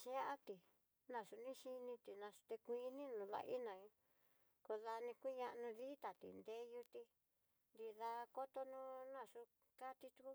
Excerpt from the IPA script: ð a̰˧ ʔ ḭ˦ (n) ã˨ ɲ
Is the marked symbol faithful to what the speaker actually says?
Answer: yes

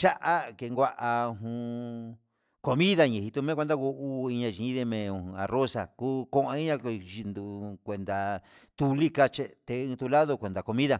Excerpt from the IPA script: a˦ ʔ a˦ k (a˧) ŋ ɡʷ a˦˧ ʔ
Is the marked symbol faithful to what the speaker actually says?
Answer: no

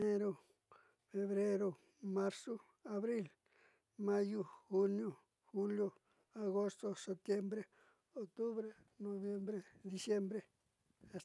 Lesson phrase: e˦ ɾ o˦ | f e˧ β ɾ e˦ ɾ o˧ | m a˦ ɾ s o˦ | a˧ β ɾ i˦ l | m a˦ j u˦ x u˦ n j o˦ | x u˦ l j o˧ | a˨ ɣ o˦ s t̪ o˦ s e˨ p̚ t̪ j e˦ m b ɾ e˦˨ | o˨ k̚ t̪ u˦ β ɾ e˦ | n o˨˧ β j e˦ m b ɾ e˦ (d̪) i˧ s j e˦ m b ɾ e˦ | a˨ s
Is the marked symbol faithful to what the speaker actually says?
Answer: yes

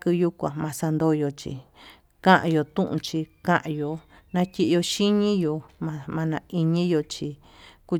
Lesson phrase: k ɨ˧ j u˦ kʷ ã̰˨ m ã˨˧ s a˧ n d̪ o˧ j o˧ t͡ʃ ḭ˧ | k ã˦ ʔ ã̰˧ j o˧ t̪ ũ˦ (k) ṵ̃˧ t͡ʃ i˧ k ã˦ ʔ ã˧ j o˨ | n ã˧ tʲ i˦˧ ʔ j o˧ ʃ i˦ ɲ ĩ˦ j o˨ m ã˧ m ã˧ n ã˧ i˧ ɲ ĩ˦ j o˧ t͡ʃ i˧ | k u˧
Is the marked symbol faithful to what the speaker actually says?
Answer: no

